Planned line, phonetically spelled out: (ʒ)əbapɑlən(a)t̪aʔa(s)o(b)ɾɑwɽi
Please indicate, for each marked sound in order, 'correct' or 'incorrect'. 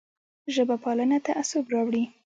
correct, correct, correct, correct

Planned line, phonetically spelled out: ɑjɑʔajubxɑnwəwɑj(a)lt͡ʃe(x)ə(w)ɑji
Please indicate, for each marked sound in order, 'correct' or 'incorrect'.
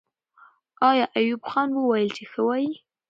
incorrect: ə, correct, correct

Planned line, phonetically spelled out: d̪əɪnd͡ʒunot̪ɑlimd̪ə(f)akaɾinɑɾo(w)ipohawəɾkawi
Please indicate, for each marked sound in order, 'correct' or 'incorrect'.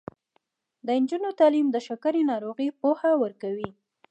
incorrect: ʃ, incorrect: ɣ

